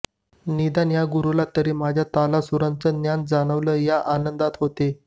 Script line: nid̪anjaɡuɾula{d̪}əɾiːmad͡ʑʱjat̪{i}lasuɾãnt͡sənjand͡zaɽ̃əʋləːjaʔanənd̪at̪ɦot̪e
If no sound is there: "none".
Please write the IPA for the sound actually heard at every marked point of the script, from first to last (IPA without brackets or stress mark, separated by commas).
t̪, a